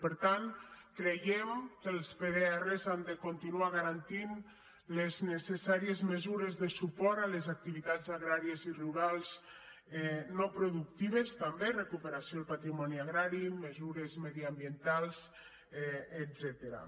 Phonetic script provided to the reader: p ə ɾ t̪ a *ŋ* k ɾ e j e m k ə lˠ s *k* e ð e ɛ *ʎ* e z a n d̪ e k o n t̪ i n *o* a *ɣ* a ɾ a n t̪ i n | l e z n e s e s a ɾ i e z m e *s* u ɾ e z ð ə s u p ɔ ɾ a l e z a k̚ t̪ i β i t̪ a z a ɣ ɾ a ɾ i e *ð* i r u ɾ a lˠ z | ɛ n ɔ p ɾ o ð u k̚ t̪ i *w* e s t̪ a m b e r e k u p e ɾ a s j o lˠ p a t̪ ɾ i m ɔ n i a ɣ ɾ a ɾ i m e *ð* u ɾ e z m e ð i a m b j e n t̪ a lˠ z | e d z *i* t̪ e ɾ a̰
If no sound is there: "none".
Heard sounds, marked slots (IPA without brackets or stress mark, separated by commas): n, p, r, u, ɣ, z, z, β, z, ɛ